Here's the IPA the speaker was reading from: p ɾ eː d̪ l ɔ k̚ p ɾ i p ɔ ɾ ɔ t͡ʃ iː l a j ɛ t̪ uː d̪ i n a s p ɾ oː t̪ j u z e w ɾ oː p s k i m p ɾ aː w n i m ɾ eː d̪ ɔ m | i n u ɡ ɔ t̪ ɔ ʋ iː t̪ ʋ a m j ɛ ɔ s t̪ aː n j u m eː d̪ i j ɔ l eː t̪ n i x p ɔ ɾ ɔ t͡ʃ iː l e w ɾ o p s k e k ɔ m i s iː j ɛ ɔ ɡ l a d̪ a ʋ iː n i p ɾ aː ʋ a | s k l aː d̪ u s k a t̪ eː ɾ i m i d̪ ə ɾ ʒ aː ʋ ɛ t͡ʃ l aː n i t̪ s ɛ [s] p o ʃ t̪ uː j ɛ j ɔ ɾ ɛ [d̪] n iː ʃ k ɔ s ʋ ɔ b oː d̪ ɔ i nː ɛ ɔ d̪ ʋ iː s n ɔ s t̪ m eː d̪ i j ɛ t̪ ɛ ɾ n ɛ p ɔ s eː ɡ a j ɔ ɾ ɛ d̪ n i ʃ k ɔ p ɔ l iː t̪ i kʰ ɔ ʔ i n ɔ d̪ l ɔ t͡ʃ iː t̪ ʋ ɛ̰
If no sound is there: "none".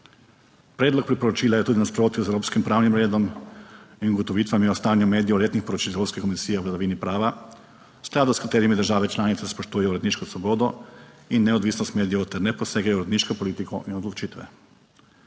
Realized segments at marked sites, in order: s, d̪

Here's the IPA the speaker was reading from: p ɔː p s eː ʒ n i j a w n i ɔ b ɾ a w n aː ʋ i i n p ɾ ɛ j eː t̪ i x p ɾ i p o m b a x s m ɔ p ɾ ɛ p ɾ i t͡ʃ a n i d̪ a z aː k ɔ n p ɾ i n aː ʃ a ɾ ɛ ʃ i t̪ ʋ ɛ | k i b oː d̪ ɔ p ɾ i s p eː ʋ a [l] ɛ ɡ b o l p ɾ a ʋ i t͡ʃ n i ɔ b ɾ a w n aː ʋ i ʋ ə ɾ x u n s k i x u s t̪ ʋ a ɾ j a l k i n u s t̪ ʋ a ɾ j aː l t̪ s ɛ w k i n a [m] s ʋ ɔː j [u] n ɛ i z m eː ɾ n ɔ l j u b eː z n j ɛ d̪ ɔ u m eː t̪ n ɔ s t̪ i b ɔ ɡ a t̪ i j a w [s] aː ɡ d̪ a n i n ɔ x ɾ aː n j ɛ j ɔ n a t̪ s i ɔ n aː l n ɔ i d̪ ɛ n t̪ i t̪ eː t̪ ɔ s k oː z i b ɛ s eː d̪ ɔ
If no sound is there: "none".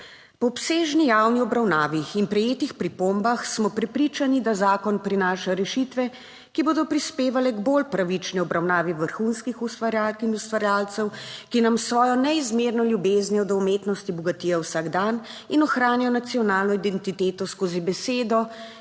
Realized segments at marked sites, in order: l, m, ɔ, s

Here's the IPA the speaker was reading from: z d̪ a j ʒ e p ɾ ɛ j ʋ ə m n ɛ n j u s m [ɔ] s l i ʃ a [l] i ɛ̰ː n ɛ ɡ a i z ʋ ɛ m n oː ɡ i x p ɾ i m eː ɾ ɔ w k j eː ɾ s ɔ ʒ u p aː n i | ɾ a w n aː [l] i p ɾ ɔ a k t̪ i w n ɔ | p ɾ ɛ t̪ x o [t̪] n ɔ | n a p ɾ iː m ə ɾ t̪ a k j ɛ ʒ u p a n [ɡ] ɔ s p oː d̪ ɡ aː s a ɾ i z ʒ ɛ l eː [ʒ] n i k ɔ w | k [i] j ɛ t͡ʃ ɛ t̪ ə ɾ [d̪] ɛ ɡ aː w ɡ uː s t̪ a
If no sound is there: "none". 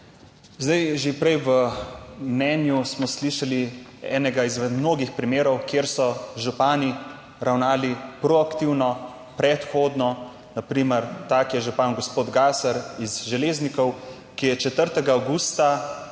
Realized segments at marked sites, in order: ɔ, l, l, d̪, ɡ, z, i, t̪

